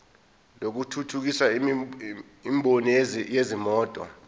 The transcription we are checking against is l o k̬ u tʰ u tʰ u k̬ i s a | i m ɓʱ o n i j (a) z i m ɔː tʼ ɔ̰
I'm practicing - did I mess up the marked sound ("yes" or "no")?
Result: yes